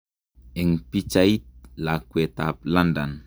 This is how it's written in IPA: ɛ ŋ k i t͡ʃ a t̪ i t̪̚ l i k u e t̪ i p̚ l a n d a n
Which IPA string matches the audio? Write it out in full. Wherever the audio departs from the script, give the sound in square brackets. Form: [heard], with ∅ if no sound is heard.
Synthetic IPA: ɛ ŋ [p] i t͡ʃ a [∅] i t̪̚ l [a] k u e t̪ [a] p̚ l a n d a n